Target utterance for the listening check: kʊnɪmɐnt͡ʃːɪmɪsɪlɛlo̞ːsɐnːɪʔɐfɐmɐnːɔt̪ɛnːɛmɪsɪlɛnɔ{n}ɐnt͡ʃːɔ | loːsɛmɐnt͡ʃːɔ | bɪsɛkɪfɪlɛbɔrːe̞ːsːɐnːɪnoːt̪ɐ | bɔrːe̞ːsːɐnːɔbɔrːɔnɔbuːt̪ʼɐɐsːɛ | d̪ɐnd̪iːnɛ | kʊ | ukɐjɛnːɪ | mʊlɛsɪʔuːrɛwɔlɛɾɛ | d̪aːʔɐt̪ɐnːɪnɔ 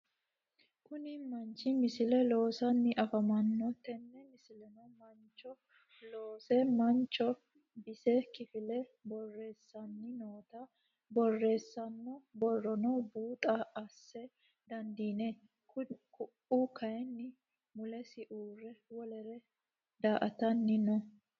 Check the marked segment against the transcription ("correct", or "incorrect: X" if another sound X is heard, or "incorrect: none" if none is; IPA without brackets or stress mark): incorrect: m